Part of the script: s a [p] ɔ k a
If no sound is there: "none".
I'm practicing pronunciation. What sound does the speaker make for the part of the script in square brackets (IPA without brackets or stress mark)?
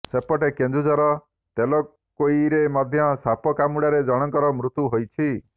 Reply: p